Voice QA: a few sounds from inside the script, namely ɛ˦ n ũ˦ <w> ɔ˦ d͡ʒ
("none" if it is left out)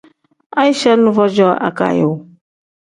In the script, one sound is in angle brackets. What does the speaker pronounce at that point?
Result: v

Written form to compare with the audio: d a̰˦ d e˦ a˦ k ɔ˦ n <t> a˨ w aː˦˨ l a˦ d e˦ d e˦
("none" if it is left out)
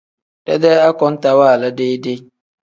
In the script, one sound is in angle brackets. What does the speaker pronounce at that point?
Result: t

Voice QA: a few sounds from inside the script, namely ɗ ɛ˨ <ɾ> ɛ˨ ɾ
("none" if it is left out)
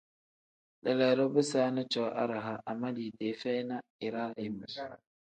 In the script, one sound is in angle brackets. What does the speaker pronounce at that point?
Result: l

